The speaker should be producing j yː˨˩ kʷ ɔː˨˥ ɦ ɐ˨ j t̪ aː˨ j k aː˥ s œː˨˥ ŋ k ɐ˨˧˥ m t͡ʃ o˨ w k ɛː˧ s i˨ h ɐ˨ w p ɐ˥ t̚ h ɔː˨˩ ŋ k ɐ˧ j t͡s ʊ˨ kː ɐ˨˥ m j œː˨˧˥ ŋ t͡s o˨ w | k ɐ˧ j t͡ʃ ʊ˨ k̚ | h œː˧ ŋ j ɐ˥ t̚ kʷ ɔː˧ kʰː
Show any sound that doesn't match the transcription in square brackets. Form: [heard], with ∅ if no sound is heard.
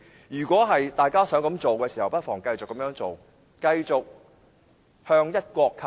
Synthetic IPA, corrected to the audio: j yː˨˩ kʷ ɔː˨˥ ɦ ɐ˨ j t̪ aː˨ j k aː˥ s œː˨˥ ŋ k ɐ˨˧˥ m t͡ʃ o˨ w k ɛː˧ s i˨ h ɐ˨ w p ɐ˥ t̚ [f] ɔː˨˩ ŋ k ɐ˧ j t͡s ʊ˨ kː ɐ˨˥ m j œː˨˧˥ ŋ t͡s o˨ w | k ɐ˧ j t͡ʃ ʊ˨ k̚ | h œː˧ ŋ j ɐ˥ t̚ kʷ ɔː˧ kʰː

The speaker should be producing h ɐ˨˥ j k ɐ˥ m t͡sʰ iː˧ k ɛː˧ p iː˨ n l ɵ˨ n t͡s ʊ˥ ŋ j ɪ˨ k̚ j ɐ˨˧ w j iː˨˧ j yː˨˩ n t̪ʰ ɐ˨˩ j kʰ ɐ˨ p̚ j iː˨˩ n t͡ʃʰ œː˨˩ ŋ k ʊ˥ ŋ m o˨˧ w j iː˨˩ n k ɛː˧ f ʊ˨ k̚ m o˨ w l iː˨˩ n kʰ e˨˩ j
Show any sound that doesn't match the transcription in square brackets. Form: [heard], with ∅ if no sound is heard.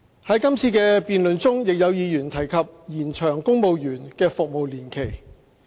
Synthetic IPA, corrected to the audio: h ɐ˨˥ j k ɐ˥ m t͡sʰ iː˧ k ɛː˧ p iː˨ n l ɵ˨ n t͡s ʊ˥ ŋ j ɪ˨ k̚ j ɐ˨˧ w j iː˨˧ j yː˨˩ n t̪ʰ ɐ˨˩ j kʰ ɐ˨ p̚ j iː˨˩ n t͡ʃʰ œː˨˩ ŋ k ʊ˥ ŋ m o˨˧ w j [yː˨˩] n k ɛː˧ f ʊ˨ k̚ m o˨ w l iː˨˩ n kʰ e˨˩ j

